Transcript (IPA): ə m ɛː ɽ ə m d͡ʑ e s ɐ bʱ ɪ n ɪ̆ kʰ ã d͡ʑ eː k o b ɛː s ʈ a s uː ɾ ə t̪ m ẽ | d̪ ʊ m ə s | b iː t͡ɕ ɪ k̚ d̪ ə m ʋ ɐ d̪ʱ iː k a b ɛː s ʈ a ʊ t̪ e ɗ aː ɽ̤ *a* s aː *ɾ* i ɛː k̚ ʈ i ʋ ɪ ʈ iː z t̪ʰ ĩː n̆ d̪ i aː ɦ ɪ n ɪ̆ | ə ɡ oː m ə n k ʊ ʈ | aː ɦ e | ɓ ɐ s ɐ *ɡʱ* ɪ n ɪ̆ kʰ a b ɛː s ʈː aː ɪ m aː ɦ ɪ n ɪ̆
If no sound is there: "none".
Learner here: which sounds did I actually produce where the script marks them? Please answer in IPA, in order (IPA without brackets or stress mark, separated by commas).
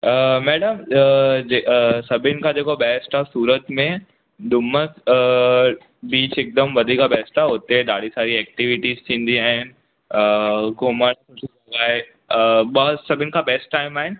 i, ɾ, bʱ